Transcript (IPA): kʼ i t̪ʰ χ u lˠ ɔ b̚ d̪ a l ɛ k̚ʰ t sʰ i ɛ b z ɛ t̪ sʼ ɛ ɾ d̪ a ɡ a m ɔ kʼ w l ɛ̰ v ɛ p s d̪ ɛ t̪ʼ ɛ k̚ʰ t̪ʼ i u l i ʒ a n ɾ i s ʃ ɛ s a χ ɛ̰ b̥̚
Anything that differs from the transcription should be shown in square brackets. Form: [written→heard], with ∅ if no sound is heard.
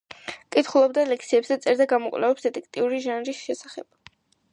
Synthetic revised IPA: kʼ i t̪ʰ χ u lˠ ɔ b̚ d̪ a l ɛ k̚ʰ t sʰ i ɛ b z ɛ t̪ sʼ ɛ ɾ d̪ a ɡ a m ɔ kʼ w l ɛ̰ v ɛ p s d̪ ɛ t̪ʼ ɛ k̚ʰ t̪ʼ i u [l→ɾ] i ʒ a n ɾ i s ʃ ɛ s a χ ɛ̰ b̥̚